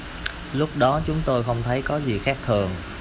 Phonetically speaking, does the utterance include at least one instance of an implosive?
yes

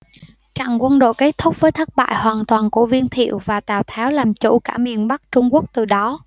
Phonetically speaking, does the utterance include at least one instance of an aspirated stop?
yes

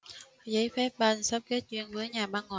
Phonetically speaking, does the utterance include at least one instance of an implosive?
yes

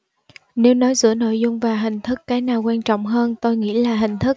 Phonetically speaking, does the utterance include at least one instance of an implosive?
no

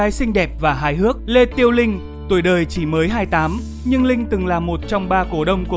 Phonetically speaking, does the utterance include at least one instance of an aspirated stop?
no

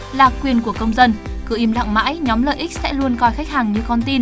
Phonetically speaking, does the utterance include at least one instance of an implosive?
no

